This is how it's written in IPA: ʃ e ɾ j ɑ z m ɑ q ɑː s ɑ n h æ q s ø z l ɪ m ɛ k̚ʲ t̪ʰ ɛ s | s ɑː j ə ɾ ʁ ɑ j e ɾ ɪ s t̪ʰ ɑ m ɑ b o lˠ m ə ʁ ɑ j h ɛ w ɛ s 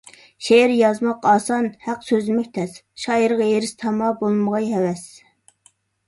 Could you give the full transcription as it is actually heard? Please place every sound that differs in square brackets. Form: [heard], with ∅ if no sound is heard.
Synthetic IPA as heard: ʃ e ɾ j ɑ z m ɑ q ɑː s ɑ n h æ q s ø z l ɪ m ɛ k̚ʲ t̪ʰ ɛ s | [ʃ] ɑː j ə ɾ ʁ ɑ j e ɾ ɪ s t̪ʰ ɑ m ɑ b o lˠ m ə ʁ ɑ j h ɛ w ɛ s